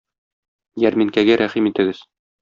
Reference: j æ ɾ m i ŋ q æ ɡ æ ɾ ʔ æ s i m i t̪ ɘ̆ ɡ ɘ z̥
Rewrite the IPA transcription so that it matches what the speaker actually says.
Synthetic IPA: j æ ɾ m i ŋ k æ ɡ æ ɾ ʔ æ χ i m i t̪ ɘ̆ ɡ ɘ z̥